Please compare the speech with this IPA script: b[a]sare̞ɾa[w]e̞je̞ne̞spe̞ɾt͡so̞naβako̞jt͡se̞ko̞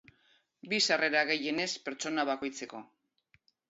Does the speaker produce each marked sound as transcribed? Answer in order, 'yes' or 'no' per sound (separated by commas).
no, no